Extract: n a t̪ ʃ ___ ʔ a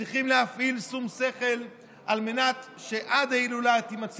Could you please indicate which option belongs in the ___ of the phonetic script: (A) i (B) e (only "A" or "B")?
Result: B